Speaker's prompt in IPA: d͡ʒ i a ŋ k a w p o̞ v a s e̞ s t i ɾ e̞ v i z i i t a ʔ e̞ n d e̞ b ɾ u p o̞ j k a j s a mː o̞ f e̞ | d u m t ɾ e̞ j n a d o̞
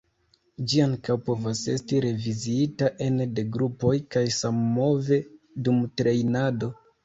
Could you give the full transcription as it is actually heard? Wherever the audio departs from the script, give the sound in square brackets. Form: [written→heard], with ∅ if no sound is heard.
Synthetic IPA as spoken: d͡ʒ i a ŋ k a w p o̞ v a s e̞ s t i ɾ e̞ v i z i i t a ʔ e̞ n d e̞ [b→ɡ] ɾ u p o̞ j k a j s a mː o̞ [f→v] e̞ | d u m t ɾ e̞ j n a d o̞